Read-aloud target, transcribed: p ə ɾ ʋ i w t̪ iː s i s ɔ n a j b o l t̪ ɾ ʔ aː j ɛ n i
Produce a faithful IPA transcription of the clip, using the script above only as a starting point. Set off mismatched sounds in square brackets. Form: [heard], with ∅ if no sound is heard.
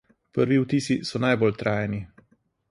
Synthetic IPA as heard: p ə ɾ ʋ i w t̪ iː s i s ɔ n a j b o l t̪ ɾ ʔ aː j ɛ n i